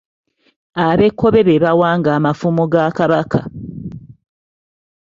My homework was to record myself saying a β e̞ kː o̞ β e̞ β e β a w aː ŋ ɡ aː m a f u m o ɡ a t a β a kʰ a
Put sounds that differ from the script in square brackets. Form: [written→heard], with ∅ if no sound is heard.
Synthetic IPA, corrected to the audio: a β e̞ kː o̞ β e̞ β e β a w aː ŋ ɡ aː m a f u m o ɡ a [t→k] a β a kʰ a